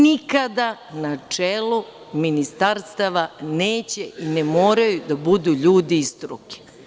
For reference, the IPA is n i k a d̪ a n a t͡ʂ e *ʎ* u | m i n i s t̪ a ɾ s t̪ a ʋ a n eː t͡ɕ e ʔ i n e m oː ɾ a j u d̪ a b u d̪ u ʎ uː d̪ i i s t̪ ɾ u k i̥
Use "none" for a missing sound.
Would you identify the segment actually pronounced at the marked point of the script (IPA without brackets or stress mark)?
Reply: l